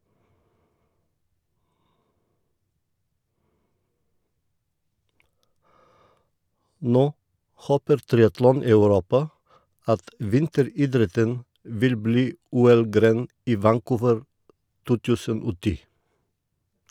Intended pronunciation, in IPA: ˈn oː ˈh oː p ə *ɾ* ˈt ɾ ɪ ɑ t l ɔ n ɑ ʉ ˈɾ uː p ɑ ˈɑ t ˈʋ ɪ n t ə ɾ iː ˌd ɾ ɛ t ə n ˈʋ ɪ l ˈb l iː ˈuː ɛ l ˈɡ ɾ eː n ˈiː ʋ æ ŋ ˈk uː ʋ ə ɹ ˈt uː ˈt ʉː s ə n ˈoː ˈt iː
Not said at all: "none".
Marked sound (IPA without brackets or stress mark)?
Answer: ɾ